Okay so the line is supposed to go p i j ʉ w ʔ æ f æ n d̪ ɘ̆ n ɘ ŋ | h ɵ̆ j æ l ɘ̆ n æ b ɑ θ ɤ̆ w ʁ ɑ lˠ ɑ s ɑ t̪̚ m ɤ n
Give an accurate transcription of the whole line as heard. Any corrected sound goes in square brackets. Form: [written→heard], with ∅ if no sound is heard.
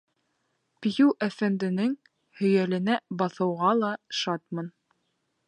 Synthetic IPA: p i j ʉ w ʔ æ f æ n d̪ ɘ̆ n ɘ ŋ | h ɵ̆ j æ l ɘ̆ n æ b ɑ θ ɤ̆ w ʁ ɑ lˠ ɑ [s→ʃ] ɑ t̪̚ m ɤ n

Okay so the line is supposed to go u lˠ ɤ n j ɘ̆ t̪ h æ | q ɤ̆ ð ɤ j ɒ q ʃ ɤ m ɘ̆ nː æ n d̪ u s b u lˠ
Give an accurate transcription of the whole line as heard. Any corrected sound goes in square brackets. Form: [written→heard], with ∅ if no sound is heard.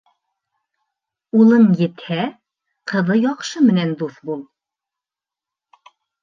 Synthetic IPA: u lˠ ɤ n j ɘ̆ t̪ h æ | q ɤ̆ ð ɤ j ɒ q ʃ ɤ m ɘ̆ [nː→n] æ n d̪ u [s→θ] b u lˠ

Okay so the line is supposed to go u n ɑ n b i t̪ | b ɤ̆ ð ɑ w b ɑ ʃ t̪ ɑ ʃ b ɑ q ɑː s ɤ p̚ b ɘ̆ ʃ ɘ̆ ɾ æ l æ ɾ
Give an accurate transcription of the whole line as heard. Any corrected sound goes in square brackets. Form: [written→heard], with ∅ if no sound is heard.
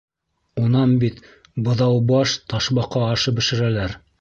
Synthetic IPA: u n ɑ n b i t̪ | b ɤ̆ ð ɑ w b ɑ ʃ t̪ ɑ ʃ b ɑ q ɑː [s→ʃ] ɤ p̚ b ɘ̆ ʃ ɘ̆ ɾ æ l æ ɾ

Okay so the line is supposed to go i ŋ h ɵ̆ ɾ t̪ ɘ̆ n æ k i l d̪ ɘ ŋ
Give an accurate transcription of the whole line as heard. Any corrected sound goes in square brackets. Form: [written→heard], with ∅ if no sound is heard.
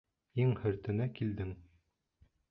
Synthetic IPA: i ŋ h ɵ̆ ɾ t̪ ɘ̆ n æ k i l d̪ ɘ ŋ

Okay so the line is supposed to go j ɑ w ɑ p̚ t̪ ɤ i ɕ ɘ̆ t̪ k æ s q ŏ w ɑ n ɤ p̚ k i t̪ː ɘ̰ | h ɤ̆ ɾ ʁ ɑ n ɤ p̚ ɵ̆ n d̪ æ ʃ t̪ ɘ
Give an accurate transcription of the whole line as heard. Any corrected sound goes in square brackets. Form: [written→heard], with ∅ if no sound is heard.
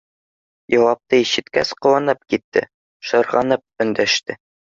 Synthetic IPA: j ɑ w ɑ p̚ t̪ ɤ i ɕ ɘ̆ t̪ k æ s q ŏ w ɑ n ɤ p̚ k i t̪ː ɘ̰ | [h→ʃ] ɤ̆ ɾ ʁ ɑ n ɤ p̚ ɵ̆ n d̪ æ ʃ t̪ ɘ

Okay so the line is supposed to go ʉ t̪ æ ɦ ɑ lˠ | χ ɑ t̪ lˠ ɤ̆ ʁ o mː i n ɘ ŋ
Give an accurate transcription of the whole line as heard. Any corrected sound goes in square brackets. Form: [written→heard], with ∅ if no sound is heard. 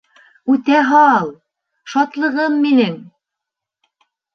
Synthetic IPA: ʉ t̪ æ ɦ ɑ lˠ | [χ→ʃ] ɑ t̪ lˠ ɤ̆ ʁ [o→ɤ] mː i n ɘ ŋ

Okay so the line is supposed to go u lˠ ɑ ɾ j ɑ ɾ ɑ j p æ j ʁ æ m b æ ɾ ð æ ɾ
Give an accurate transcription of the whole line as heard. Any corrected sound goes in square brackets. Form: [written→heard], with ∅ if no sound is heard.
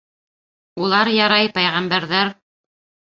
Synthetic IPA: u lˠ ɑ ɾ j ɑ ɾ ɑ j p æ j ʁ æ m b æ ɾ ð æ ɾ

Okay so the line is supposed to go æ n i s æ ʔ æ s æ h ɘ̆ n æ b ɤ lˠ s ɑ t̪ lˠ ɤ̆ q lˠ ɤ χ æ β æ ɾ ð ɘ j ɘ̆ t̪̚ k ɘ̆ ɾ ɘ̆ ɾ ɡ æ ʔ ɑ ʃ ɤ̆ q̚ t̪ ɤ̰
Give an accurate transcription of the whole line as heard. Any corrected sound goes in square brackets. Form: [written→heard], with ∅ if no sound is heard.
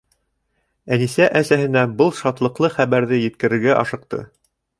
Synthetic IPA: æ n i s æ ʔ æ s æ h ɘ̆ n æ b ɤ lˠ [s→ʃ] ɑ t̪ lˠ ɤ̆ q lˠ ɤ χ æ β æ ɾ ð ɘ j ɘ̆ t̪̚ k ɘ̆ ɾ ɘ̆ ɾ ɡ æ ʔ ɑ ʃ ɤ̆ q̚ t̪ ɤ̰

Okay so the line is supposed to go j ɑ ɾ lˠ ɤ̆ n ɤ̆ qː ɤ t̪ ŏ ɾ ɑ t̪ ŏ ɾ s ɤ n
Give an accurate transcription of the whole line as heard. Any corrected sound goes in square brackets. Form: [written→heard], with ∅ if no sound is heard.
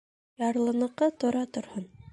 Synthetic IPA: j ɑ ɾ lˠ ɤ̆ n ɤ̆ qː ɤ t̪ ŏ ɾ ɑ t̪ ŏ ɾ [s→h] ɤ n

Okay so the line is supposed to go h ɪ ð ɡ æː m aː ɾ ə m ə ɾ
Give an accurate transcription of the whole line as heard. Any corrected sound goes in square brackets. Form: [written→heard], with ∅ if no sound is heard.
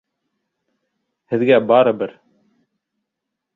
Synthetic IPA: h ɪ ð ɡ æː [m→b] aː ɾ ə [m→b] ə ɾ

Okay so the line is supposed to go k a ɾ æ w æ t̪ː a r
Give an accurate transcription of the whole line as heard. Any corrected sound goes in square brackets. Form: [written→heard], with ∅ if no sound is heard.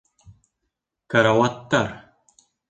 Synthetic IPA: k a ɾ [æ→a] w [æ→a] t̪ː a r

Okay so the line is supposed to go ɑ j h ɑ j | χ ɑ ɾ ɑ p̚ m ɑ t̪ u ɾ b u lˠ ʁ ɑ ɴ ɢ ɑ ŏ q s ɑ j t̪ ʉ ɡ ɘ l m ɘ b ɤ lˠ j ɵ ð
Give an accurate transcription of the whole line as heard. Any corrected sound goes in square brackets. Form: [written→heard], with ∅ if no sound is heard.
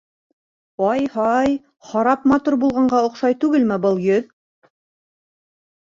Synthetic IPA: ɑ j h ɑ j | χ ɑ ɾ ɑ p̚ m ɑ t̪ u ɾ b u lˠ ʁ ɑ ɴ ɢ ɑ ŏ q [s→ʃ] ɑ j t̪ ʉ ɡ ɘ l m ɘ b ɤ lˠ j ɵ ð

